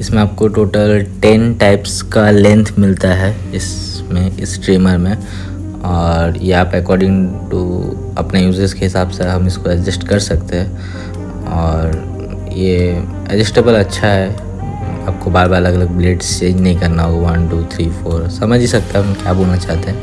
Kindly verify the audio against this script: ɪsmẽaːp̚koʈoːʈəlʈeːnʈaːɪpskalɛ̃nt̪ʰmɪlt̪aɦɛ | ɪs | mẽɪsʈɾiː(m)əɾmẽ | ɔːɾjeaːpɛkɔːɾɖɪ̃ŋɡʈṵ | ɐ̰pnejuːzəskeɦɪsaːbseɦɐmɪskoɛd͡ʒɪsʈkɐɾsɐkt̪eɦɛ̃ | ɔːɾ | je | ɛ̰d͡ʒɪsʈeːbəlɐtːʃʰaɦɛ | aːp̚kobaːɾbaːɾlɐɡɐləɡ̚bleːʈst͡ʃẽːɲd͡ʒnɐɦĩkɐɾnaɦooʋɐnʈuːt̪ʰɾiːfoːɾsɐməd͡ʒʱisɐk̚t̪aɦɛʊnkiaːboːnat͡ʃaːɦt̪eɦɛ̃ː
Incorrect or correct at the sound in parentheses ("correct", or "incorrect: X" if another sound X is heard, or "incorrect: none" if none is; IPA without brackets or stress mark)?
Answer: correct